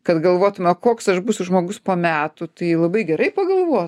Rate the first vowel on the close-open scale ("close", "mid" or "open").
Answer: open